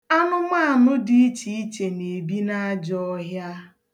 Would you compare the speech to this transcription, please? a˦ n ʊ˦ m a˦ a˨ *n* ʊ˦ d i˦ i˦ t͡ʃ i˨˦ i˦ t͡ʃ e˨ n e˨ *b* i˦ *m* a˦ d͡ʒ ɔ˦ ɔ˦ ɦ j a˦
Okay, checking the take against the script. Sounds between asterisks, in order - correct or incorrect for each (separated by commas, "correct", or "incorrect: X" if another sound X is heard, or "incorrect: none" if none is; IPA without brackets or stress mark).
correct, correct, incorrect: n